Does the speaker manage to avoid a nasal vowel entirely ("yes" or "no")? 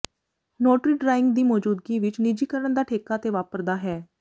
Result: yes